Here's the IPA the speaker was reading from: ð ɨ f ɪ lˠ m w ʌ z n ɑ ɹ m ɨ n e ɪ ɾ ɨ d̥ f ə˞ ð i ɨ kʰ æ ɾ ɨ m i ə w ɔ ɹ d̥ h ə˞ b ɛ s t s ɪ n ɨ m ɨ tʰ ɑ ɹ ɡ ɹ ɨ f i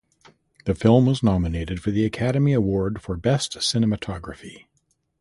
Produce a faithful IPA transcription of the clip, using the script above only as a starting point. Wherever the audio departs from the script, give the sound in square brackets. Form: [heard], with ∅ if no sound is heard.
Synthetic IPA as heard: ð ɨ f ɪ lˠ m w ʌ z n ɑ [∅] m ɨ n e ɪ ɾ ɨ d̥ f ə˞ ð i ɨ kʰ æ ɾ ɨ m i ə w ɔ ɹ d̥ [f] ə˞ b ɛ s t s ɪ n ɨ m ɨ tʰ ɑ [∅] ɡ ɹ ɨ f i

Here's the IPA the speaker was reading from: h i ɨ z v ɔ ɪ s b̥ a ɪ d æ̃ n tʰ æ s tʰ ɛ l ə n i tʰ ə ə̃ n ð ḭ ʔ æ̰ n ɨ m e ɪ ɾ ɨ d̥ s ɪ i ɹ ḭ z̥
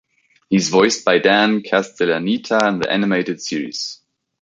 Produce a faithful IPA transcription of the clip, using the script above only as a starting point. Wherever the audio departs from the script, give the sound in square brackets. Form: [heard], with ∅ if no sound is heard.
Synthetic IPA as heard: h i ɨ z v ɔ ɪ s b̥ a ɪ d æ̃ n [kʰ] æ s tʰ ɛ l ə n i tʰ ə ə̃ n ð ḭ ʔ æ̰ n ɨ m e ɪ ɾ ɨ d̥ s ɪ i ɹ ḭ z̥

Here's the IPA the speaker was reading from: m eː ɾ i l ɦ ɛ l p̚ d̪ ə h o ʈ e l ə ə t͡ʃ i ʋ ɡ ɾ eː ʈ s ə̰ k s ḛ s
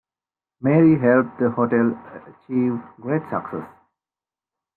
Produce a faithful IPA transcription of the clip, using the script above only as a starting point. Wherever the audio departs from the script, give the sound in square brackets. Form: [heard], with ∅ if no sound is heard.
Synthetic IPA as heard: m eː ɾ i [∅] ɦ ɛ l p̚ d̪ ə h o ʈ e l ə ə t͡ʃ i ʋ ɡ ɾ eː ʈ s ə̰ k s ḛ s

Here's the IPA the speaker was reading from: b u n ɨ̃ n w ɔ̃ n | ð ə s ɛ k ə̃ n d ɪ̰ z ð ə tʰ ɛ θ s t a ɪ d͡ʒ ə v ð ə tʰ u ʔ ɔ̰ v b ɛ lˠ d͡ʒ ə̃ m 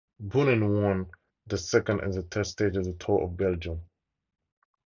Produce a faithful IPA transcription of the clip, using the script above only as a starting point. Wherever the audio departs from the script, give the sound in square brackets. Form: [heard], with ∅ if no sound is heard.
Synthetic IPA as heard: b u n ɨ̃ n w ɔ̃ n | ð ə s ɛ k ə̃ n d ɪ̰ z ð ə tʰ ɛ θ s t [e] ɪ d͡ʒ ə v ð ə tʰ [ɔ] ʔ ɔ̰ v b ɛ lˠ d͡ʒ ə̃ m

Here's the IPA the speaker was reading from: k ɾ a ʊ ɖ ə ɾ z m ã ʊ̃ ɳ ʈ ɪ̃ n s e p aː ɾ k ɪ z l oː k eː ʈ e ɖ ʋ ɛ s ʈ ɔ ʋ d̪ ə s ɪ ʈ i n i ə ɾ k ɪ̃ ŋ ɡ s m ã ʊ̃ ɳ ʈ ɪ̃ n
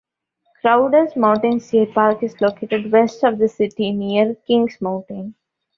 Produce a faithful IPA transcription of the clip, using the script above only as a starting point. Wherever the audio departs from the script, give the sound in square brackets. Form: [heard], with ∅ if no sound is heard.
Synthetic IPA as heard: k ɾ a ʊ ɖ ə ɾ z m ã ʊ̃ ɳ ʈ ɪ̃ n s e p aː ɾ k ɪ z l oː k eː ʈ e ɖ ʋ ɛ s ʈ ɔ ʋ d̪ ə s ɪ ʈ i n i ə ɾ k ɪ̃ ŋ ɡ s m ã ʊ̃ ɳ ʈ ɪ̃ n

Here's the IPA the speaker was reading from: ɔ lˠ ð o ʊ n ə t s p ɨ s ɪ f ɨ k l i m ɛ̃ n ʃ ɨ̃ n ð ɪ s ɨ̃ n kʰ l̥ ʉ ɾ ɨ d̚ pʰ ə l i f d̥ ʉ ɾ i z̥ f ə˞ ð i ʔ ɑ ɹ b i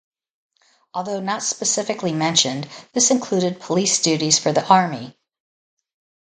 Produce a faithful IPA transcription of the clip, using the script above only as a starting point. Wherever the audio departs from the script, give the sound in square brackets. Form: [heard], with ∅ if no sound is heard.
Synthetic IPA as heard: ɔ lˠ ð o ʊ n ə t s p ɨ s ɪ f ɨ k l i m ɛ̃ n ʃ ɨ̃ n ð ɪ s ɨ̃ n kʰ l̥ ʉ ɾ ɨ d̚ pʰ ə l i [s] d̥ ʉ ɾ i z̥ f ə˞ ð i ʔ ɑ ɹ [m] i

